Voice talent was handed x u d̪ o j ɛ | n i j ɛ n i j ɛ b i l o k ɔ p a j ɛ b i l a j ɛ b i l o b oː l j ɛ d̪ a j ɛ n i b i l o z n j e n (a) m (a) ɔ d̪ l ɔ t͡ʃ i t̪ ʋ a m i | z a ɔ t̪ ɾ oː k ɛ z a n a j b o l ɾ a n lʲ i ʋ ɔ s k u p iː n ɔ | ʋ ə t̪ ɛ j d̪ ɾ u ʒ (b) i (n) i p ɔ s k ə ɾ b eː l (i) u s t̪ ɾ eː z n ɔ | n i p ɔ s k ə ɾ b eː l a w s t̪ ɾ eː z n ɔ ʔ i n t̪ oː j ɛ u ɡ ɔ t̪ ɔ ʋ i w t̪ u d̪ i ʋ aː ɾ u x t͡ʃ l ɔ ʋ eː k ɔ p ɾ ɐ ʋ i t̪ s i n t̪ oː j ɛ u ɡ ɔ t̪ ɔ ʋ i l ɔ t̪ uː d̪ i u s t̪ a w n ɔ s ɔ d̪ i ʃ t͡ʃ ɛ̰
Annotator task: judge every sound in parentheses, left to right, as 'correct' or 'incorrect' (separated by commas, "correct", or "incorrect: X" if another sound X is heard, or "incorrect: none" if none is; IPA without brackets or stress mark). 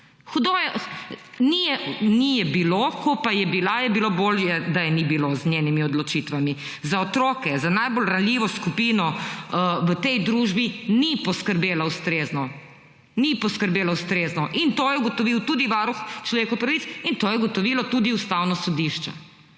incorrect: i, incorrect: i, correct, correct, incorrect: a